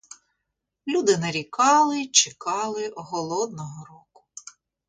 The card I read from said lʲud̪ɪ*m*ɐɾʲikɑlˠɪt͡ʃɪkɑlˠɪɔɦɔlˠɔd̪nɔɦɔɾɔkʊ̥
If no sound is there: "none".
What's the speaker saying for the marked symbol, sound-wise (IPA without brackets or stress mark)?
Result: n